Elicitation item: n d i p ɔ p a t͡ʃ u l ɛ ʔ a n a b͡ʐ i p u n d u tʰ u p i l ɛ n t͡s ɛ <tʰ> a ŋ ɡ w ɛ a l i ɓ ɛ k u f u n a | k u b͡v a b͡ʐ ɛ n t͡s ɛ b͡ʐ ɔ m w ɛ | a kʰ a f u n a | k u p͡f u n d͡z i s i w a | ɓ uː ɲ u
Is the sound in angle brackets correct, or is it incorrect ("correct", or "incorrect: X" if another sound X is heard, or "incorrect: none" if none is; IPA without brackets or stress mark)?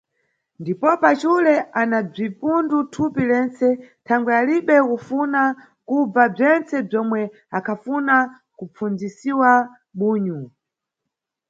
correct